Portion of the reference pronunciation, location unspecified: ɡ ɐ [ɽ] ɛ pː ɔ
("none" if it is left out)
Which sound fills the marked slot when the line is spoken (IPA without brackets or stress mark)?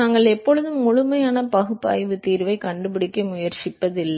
ɭ